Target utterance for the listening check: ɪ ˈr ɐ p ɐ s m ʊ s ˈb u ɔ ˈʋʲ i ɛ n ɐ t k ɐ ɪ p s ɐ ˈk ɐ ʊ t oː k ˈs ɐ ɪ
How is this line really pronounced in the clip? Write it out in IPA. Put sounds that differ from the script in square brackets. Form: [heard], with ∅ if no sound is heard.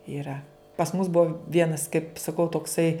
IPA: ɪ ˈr ɐ p ɐ s m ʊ s ˈb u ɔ ˈʋʲ i ɛ n ɐ [s] k ɐ ɪ p s ɐ ˈk ɐ ʊ t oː k ˈs ɐ ɪ

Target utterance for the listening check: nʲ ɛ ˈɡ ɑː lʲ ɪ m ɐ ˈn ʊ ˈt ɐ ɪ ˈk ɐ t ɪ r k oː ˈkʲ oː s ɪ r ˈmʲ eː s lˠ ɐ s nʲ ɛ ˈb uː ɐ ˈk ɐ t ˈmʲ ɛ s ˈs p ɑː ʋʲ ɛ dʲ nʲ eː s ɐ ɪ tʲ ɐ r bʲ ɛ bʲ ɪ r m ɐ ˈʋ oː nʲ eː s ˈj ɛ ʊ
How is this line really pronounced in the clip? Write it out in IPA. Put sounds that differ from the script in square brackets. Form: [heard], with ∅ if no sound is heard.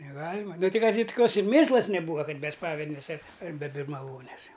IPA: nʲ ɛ ˈɡ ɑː lʲ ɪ m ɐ ˈn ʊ ˈt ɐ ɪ ˈk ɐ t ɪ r [t] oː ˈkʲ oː s ɪ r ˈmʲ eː s lˠ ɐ s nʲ ɛ ˈb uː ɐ ˈk ɐ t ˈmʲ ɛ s ˈs p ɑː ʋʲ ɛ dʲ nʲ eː s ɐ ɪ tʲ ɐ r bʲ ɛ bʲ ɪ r m ɐ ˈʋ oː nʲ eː s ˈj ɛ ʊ

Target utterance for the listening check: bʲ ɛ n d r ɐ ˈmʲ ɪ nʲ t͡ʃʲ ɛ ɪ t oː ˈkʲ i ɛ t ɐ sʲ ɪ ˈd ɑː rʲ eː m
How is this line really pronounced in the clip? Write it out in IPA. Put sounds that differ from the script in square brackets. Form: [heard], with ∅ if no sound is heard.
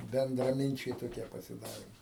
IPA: bʲ ɛ n d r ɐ ˈmʲ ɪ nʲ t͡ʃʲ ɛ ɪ t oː ˈkʲ i ɛ [p] ɐ sʲ ɪ ˈd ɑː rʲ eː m

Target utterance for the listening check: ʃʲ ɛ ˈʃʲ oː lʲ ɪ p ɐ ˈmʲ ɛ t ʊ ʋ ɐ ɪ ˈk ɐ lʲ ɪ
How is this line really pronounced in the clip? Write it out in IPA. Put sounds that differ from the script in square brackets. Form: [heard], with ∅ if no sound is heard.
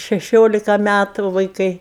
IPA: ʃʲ ɛ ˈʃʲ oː lʲ ɪ [k] ɐ ˈmʲ [æ] t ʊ ʋ ɐ ɪ ˈk ɐ [∅] ɪ

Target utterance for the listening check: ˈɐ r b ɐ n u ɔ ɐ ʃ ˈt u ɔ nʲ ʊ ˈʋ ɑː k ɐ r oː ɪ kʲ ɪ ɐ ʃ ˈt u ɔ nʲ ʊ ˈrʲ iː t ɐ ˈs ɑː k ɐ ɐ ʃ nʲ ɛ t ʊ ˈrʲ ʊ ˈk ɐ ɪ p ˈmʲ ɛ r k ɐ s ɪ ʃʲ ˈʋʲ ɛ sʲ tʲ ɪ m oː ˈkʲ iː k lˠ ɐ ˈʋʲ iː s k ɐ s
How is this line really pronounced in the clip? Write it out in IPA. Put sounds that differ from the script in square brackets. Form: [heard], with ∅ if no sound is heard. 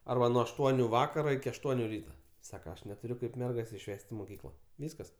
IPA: ˈɐ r b ɐ n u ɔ ɐ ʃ ˈt u ɔ nʲ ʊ ˈʋ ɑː k ɐ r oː ɪ kʲ ɪ ɐ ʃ ˈt u ɔ nʲ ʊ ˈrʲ iː t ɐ ˈs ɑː k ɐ ɐ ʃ nʲ ɛ t ʊ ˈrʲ ʊ ˈk ɐ ɪ p ˈmʲ ɛ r [ɡ] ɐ s ɪ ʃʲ ˈʋʲ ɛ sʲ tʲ ɪ m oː ˈkʲ iː k lˠ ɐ ˈʋʲ iː s k ɐ s

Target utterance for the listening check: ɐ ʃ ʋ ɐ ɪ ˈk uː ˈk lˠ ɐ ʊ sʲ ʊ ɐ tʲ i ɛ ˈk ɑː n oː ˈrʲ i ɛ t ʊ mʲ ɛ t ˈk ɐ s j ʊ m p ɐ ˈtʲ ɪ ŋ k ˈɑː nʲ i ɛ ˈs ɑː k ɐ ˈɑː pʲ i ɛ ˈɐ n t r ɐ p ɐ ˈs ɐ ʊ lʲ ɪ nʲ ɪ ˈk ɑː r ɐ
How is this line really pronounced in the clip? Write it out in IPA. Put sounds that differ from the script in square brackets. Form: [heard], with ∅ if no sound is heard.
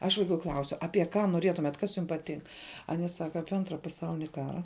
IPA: ɐ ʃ ʋ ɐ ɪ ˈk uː ˈk lˠ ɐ ʊ sʲ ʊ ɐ [pʲ] i ɛ ˈk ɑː n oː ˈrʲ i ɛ t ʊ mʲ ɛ t ˈk ɐ s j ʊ m p ɐ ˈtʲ ɪ ŋ k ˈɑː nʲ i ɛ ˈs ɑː k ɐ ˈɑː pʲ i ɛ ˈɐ n t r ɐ p ɐ ˈs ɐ ʊ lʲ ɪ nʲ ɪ ˈk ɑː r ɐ

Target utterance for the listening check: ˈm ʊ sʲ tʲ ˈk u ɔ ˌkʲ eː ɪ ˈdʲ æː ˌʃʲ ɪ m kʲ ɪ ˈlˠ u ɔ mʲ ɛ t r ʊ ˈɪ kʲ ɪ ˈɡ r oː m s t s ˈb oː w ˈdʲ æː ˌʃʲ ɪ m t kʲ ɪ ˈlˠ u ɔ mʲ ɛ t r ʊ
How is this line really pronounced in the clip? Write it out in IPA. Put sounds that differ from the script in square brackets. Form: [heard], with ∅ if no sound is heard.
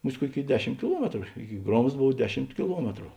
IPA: ˈm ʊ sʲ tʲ ˈk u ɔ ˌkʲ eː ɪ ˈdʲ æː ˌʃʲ ɪ m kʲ ɪ ˈlˠ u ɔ mʲ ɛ t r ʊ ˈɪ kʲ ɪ ˈɡ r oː m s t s ˈb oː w ˈdʲ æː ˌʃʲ ɪ m t kʲ ɪ ˈlˠ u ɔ mʲ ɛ t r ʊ

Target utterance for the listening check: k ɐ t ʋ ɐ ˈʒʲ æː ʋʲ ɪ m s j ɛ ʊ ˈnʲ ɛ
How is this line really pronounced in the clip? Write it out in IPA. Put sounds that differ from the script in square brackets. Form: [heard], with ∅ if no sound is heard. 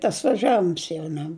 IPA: [t] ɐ [s] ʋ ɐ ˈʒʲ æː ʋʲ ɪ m s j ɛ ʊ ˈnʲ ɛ

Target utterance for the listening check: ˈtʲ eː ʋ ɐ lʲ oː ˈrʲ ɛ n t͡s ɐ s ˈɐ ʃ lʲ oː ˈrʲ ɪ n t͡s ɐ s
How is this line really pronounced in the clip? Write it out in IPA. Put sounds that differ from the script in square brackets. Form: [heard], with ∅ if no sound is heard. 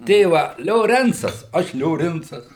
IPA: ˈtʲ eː ʋ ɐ lʲ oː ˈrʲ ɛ n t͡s ɐ s ˈɐ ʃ lʲ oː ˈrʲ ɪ n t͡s ɐ s

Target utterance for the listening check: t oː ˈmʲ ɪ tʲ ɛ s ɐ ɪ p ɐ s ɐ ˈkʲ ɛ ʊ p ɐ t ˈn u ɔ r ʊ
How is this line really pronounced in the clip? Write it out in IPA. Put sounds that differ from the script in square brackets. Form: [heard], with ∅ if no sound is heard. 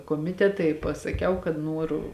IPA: [k] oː ˈmʲ ɪ tʲ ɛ [t] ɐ ɪ p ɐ s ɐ ˈkʲ ɛ ʊ [k] ɐ t ˈn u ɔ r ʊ

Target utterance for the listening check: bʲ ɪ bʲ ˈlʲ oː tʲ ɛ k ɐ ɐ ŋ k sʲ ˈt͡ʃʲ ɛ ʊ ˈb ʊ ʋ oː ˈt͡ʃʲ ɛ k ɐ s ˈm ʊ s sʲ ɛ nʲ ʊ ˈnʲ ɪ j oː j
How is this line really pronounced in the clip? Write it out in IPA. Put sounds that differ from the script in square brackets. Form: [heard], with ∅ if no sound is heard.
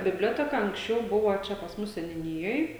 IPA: bʲ ɪ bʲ ˈlʲ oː tʲ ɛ k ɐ ɐ ŋ k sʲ ˈt͡ʃʲ ɛ ʊ ˈb ʊ ʋ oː ˈt͡ʃʲ ɛ [p] ɐ s ˈm ʊ s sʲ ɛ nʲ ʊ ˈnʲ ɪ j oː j

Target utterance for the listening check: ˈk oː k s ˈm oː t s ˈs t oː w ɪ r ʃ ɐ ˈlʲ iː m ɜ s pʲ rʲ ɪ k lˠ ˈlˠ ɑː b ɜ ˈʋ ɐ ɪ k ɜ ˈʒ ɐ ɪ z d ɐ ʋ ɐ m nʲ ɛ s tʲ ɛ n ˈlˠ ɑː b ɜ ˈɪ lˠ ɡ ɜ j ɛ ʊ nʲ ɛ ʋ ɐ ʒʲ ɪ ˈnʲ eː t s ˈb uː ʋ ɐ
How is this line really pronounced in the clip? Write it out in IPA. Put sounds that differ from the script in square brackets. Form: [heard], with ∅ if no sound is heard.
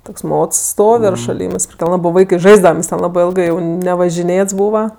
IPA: [ˈt] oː k s ˈm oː t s ˈs t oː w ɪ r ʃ ɐ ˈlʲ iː m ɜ s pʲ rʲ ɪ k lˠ ˈlˠ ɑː b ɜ ˈʋ ɐ ɪ k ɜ ˈʒ ɐ ɪ z d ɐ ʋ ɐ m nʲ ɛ s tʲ ɛ n ˈlˠ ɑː b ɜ ˈɪ lˠ ɡ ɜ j ɛ ʊ nʲ ɛ ʋ ɐ ʒʲ ɪ ˈnʲ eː t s ˈb uː ʋ ɐ

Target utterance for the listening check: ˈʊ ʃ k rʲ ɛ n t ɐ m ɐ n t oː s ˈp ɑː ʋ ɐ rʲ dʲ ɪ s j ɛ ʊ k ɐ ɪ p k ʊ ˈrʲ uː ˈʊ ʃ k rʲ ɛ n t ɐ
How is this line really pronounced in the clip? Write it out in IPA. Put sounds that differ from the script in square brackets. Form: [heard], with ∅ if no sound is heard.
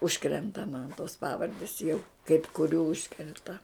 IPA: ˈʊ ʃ k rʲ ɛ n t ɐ m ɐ n t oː s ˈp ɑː ʋ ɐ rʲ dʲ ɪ s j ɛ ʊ k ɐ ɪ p k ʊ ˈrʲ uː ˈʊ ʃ k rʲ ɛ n t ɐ

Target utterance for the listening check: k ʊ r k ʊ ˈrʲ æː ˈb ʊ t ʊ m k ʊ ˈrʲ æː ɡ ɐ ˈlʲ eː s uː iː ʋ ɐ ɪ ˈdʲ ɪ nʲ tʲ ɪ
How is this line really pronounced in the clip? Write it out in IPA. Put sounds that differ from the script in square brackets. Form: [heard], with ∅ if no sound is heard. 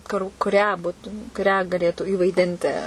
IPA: k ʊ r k ʊ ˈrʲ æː ˈb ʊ t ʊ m k ʊ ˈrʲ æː ɡ ɐ ˈlʲ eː [t] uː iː ʋ ɐ ɪ ˈdʲ ɪ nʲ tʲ ɪ

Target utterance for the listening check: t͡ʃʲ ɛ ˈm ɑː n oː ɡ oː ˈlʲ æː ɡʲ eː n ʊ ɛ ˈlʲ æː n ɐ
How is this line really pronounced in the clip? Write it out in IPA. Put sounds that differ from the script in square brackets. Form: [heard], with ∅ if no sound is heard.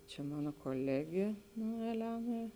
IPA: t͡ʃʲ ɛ ˈm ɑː n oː [k] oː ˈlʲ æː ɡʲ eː n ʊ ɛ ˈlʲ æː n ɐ

